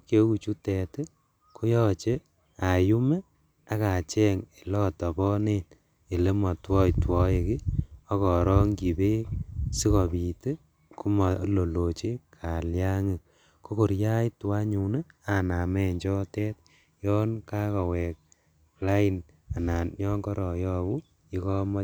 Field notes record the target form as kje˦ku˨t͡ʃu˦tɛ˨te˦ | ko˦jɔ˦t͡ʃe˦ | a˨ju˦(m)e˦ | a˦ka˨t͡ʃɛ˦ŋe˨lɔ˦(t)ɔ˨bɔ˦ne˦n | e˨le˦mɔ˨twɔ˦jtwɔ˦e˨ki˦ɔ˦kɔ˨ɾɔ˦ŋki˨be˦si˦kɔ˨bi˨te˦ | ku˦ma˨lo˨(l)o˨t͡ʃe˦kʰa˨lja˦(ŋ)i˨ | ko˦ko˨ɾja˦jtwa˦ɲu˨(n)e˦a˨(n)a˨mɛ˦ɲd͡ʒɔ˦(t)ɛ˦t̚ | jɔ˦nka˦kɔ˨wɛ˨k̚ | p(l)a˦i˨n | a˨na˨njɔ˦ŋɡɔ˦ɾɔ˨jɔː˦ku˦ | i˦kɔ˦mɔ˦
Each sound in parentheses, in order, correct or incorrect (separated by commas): correct, correct, correct, correct, correct, correct, correct, correct